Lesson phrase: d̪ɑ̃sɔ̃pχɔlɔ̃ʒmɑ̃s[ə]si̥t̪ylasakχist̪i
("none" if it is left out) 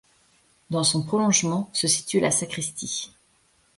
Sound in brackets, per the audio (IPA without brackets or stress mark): ə